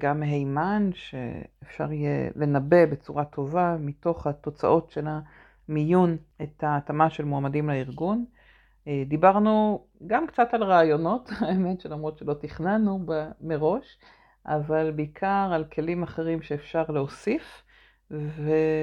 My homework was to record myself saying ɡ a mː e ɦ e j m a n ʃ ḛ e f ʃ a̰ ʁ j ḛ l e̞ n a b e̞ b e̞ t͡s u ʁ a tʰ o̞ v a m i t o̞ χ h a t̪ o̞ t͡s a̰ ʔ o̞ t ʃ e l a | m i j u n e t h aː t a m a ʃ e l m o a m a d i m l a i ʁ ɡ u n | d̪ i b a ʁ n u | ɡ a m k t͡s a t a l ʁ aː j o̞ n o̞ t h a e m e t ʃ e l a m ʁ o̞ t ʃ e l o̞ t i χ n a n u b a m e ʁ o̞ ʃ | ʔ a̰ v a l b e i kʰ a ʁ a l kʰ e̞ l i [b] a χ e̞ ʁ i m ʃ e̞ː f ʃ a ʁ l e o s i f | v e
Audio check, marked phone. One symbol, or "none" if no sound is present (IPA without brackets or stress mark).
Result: m